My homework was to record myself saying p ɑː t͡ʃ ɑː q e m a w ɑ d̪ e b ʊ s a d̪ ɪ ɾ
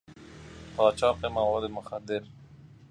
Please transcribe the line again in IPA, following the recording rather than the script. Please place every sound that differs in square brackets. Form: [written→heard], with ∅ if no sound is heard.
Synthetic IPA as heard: p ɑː t͡ʃ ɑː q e m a w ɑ d̪ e [b→m] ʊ [s→x] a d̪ ɪ ɾ